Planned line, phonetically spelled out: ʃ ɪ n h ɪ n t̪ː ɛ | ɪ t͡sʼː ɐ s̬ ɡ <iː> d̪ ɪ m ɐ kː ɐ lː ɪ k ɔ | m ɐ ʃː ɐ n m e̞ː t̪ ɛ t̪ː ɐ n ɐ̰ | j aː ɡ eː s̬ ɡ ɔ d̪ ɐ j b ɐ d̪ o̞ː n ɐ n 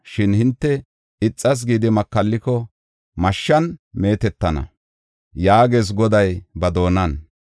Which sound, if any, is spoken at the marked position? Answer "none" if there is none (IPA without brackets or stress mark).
iː